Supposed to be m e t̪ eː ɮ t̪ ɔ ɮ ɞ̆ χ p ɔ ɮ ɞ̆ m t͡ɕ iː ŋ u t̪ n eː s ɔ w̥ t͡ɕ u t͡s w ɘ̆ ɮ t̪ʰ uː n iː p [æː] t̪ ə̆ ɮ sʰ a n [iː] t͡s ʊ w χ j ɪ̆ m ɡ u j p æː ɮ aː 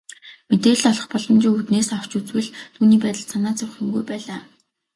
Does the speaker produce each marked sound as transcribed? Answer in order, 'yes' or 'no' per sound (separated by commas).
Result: yes, no